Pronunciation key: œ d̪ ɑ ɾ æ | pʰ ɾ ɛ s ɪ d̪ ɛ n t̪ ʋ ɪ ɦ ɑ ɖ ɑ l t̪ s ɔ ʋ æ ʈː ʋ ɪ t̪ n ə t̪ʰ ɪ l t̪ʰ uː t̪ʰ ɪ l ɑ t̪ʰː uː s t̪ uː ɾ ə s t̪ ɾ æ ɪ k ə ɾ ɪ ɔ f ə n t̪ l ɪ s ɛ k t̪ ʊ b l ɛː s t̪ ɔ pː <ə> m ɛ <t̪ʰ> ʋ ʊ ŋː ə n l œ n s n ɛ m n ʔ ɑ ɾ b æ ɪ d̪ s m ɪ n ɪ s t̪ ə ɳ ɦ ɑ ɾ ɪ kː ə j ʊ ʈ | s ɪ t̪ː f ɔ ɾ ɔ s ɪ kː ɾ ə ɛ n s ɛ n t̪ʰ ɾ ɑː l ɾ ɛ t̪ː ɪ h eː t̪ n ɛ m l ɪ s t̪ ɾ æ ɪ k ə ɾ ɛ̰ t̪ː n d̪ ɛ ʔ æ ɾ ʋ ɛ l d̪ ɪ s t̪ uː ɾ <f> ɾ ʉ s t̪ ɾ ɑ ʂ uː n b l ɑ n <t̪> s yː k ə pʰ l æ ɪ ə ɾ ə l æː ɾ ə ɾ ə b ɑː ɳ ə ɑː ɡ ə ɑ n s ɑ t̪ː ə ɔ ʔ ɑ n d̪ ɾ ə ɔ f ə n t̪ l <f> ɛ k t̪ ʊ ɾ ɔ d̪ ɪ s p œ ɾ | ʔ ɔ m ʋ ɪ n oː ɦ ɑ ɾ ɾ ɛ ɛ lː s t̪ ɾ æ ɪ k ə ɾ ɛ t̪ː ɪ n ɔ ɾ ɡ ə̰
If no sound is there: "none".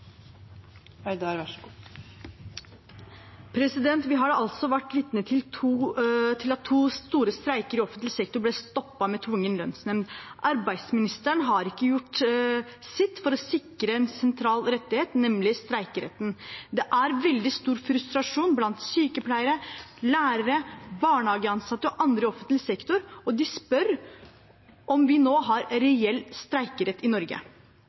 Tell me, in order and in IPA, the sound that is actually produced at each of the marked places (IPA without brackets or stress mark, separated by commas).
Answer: ɑ, t̪ʰ, f, t̪, s